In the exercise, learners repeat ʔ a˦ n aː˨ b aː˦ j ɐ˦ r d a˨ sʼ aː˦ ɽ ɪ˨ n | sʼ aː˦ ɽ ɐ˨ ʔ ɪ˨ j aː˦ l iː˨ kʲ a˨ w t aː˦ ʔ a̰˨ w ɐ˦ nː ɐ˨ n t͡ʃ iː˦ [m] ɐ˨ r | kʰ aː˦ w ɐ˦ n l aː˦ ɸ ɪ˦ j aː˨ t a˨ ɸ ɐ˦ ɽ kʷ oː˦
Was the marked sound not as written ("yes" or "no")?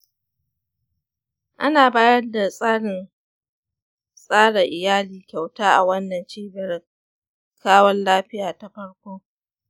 yes